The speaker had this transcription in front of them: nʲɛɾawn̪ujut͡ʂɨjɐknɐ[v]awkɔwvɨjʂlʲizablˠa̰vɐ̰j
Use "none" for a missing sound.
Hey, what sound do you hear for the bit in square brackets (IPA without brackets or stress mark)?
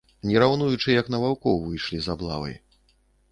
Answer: v